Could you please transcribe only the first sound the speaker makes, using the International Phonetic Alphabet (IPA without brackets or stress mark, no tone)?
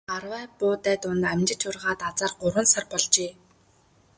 a